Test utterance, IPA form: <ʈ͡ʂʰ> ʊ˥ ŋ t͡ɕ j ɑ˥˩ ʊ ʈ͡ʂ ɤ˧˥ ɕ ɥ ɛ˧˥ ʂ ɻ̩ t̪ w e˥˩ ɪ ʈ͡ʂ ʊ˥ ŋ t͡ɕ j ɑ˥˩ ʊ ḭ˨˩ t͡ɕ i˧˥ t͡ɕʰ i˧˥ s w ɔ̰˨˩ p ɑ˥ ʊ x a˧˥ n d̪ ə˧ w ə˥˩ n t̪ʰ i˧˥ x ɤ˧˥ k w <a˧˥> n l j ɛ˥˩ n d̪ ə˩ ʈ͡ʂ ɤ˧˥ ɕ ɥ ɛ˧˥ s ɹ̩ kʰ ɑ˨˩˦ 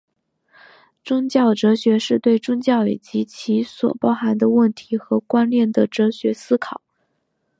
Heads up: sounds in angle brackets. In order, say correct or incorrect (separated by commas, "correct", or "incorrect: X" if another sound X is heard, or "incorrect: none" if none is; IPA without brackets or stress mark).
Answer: incorrect: ʈ͡ʂ, incorrect: a˥